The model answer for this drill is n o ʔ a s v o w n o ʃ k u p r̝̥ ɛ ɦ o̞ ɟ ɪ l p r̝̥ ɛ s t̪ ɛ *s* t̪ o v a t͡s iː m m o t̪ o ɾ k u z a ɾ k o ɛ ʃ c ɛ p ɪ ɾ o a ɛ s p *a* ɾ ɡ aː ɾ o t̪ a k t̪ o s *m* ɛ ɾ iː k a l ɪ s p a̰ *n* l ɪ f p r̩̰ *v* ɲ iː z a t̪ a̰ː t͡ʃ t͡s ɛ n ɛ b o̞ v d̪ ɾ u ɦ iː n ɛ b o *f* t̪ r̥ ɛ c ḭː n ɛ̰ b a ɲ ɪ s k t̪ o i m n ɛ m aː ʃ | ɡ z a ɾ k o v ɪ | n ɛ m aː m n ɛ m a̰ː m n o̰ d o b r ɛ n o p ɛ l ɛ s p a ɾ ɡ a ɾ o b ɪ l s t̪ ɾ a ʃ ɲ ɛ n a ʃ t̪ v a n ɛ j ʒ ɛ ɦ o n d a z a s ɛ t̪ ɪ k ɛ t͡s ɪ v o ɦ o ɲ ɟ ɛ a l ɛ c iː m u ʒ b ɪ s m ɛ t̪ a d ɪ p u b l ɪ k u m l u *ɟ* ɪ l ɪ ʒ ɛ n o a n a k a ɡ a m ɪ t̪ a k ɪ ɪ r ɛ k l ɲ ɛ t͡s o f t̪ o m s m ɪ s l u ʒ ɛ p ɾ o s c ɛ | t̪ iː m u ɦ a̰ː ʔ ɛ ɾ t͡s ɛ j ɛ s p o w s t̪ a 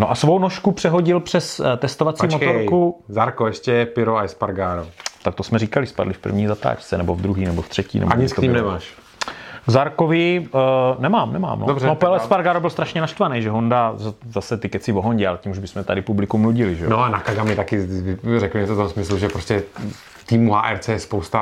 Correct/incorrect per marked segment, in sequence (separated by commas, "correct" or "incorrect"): correct, correct, correct, incorrect, correct, correct, correct